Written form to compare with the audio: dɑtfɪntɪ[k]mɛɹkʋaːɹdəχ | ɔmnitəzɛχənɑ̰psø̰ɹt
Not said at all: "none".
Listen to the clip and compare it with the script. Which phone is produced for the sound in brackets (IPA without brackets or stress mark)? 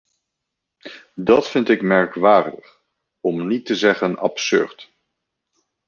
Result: k